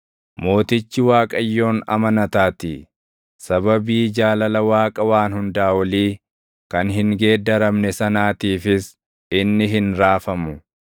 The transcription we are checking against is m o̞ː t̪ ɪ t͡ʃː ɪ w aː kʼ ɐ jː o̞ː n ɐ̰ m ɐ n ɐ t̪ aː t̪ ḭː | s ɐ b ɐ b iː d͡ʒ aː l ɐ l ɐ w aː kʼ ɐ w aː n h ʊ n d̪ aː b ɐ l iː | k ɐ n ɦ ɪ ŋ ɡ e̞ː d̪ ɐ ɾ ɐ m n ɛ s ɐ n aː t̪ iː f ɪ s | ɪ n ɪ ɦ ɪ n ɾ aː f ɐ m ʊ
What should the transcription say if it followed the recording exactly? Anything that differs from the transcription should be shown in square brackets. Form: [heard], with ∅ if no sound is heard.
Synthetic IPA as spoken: m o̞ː t̪ ɪ t͡ʃː ɪ w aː kʼ ɐ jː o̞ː n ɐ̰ m ɐ n ɐ t̪ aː t̪ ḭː | s ɐ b ɐ b iː d͡ʒ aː l ɐ l ɐ w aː kʼ ɐ w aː n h ʊ n d̪ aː [w] ɐ l iː | k ɐ n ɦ ɪ ŋ ɡ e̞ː d̪ ɐ ɾ ɐ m n ɛ s ɐ n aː t̪ iː f ɪ s | ɪ [nː] ɪ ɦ ɪ n ɾ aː f ɐ m ʊ